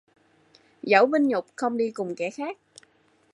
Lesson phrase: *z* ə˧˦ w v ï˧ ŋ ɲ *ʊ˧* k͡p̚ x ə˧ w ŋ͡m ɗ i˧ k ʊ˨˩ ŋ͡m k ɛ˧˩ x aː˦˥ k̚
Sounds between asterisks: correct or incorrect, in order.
correct, incorrect: ʊ˨˩

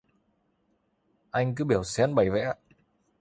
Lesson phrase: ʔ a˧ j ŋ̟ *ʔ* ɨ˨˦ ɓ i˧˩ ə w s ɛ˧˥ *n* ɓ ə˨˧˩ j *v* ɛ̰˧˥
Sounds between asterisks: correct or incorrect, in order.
incorrect: k, correct, correct

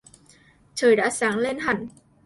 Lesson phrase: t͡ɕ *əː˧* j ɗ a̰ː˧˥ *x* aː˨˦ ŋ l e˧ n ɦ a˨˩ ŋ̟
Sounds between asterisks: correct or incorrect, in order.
incorrect: əː˨˩, incorrect: s

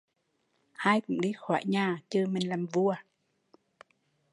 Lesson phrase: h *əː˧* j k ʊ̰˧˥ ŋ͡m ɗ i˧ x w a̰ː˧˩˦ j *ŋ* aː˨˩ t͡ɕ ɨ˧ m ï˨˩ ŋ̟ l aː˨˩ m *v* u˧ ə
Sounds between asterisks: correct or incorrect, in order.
incorrect: aː˧, incorrect: ɲ, correct

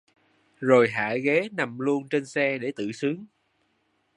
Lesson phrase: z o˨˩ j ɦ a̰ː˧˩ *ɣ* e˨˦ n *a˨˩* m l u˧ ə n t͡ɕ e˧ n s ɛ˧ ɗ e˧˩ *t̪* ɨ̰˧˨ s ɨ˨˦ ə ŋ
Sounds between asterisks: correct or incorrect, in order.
correct, correct, correct

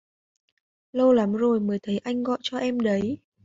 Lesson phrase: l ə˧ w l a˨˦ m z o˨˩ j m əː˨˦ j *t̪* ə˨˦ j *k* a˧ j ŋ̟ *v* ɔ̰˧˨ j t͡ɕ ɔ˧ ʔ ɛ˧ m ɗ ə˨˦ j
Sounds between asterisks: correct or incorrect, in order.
incorrect: t̪ʰ, incorrect: ʔ, incorrect: ɣ

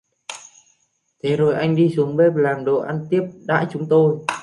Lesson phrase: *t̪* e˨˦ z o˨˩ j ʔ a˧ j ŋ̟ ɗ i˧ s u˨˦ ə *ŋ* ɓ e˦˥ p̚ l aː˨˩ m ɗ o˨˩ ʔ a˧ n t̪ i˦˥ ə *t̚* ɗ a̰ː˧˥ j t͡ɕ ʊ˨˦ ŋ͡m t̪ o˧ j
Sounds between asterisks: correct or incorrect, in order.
incorrect: t̪ʰ, correct, incorrect: p̚

